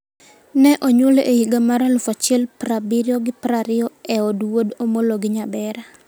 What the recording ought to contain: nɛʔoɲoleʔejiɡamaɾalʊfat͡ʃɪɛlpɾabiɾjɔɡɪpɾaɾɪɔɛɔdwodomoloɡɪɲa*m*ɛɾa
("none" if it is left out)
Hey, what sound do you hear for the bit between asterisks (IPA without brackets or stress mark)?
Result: b